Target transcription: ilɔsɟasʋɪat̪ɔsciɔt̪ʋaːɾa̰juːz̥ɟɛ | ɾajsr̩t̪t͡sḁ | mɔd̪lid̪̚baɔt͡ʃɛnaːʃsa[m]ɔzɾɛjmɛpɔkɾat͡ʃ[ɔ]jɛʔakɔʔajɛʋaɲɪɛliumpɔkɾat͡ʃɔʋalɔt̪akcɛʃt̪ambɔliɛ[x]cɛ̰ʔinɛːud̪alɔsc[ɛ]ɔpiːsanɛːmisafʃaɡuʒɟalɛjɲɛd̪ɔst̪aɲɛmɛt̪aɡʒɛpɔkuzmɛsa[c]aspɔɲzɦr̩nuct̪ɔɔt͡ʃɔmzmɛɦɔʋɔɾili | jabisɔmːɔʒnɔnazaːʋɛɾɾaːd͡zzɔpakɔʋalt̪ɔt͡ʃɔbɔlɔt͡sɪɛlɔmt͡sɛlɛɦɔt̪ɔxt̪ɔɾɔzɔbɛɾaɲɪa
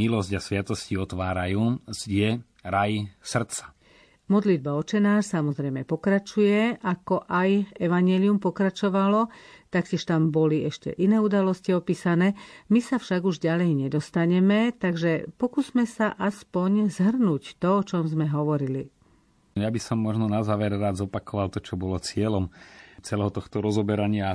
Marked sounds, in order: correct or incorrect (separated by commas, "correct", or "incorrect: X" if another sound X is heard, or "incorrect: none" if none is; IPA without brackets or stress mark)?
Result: correct, incorrect: u, incorrect: ʃ, incorrect: i, incorrect: ʔ